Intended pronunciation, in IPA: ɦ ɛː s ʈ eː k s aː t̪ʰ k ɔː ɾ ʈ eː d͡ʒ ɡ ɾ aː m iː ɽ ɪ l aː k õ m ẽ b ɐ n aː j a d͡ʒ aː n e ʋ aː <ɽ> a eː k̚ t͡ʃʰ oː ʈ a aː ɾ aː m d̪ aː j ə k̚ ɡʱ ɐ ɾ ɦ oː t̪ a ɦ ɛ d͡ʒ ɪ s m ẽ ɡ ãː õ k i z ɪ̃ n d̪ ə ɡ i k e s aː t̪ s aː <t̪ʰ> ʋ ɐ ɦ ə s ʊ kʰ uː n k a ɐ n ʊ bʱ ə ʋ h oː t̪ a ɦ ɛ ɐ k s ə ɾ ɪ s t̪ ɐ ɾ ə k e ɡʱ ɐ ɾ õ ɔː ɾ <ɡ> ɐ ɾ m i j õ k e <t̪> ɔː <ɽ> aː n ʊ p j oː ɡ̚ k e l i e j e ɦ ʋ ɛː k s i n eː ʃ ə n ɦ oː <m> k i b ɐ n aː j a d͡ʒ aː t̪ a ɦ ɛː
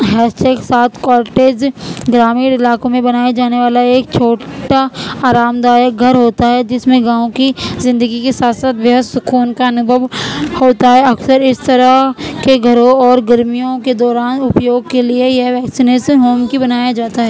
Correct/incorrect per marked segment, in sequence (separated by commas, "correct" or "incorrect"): incorrect, incorrect, correct, incorrect, incorrect, correct